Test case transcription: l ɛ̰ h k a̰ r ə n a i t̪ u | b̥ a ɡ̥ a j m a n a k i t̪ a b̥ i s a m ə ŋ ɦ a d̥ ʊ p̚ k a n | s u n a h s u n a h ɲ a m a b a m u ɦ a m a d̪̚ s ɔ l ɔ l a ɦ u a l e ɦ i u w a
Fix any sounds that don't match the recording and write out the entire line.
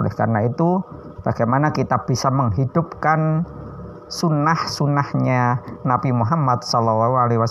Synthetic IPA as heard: l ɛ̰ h k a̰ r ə n a i t̪ u | b̥ a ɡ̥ a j m a n a k i t̪ a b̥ i s a m ə ŋ ɦ i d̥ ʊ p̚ k a n | s u n a h s u n a h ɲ a n a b i m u ɦ a m a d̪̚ s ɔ l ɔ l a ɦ u a l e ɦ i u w a